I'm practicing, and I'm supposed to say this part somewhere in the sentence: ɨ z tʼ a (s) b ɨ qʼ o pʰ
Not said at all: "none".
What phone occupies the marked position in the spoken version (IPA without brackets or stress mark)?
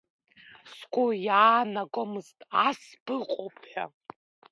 s